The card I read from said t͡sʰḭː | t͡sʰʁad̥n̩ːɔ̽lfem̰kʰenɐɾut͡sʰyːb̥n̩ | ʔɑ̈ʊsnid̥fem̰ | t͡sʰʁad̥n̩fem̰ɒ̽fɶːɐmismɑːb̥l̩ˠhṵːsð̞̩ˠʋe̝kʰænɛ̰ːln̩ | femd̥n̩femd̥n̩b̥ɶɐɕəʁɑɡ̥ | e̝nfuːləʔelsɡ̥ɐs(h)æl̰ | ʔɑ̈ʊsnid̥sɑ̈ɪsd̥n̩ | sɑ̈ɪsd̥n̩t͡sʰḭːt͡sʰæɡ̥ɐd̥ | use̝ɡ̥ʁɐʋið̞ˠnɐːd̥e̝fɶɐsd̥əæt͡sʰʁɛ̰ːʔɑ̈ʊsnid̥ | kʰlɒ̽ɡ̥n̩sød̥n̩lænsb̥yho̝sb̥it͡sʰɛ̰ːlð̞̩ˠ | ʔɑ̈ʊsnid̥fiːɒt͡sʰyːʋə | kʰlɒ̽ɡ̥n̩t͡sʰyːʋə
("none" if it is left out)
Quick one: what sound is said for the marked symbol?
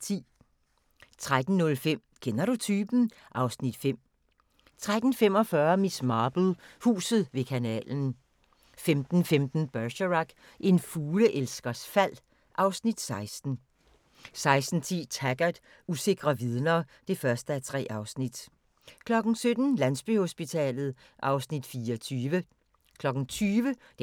f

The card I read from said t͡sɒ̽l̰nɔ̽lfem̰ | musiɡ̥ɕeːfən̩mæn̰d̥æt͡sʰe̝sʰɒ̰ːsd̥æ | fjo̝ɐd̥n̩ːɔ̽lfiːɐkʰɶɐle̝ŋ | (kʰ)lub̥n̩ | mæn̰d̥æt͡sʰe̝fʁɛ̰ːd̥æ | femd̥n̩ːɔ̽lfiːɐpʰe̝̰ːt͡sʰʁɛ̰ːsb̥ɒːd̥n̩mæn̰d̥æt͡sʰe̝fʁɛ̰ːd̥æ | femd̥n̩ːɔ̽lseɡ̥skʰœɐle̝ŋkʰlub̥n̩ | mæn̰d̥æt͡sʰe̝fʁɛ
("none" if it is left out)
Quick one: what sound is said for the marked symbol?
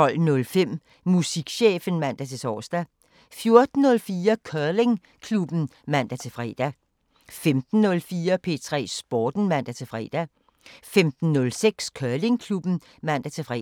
kʰ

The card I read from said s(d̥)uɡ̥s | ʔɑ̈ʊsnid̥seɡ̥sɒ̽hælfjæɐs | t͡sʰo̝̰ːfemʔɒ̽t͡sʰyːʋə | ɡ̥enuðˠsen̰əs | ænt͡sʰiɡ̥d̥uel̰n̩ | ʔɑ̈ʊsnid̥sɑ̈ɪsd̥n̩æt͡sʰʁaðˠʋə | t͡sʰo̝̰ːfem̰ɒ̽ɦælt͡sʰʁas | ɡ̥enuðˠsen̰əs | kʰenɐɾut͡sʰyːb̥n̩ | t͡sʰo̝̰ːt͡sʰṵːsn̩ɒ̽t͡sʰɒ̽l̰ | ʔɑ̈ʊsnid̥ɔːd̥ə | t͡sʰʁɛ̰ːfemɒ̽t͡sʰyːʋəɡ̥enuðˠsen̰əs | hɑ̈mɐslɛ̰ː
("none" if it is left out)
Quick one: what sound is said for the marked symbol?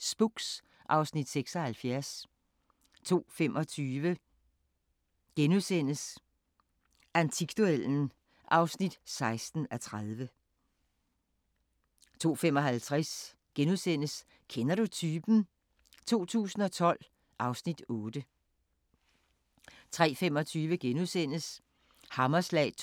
b̥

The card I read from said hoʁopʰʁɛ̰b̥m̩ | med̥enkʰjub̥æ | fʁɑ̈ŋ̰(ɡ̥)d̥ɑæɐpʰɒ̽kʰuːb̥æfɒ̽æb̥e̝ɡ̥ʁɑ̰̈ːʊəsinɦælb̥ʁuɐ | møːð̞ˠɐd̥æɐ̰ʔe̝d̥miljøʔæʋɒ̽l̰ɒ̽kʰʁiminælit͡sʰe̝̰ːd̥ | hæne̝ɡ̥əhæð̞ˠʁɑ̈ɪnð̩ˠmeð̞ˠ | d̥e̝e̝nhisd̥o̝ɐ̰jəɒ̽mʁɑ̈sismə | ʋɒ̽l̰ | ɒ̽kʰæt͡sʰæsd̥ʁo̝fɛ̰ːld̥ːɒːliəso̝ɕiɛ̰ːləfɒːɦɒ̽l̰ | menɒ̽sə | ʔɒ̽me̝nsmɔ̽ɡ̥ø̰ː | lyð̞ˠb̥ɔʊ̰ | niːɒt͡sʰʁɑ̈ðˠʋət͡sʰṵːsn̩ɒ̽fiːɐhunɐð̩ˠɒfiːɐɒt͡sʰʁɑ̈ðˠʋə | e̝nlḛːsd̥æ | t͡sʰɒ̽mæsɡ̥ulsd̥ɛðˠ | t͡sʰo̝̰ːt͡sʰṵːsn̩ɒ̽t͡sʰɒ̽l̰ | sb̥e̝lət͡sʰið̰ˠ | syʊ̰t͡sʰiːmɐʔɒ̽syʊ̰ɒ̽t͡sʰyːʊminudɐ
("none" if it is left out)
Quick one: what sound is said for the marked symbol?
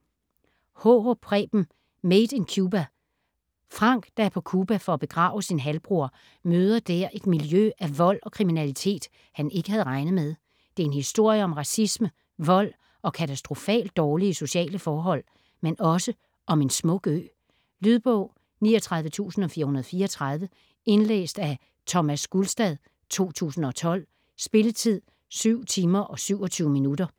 ɡ̥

